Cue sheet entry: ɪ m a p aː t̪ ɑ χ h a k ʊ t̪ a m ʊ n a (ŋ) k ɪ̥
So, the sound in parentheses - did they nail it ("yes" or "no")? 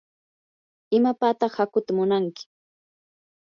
yes